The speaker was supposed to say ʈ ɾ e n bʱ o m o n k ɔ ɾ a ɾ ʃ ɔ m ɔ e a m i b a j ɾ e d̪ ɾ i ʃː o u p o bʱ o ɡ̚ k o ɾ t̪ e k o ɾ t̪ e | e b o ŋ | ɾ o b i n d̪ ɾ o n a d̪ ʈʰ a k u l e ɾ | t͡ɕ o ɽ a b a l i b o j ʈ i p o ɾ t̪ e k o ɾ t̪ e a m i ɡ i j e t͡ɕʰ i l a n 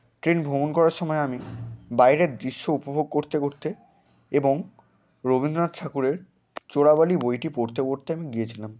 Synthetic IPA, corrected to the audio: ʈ ɾ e n bʱ o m o n k ɔ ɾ a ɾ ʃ ɔ m ɔ e a m i b a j ɾ e d̪ ɾ i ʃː o u p o bʱ o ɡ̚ k o ɾ t̪ e k o ɾ t̪ e | e b o ŋ | ɾ o b i n d̪ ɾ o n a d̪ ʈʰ a k u ɾ e ɾ | t͡ɕ o ɽ a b a l i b o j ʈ i p o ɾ t̪ e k o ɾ t̪ e a m i ɡ i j e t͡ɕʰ i l a m